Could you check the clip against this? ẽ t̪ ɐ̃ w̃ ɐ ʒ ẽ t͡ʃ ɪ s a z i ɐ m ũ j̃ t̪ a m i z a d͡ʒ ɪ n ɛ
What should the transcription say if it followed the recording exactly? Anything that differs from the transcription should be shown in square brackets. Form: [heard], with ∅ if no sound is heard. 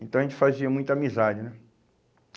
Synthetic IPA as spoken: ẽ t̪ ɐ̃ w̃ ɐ ʒ ẽ t͡ʃ ɪ [f] a z i ɐ m ũ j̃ t̪ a m i z a d͡ʒ ɪ n ɛ